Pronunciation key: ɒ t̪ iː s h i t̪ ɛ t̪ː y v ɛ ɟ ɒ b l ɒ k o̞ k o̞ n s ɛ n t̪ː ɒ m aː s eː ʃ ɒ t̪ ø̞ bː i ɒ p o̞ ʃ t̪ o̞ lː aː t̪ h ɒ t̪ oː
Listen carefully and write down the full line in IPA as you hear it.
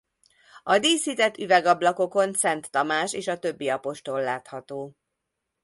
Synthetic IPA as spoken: ɒ d̪ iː s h i t̪ ɛ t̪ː y v ɛ ɡ ɒ b l ɒ k o̞ k o̞ n s ɛ n t̪ː ɒ m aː ʃ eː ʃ ɒ t̪ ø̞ bː i ɒ p o̞ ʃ t̪ o̞ lː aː t̪ h ɒ t̪ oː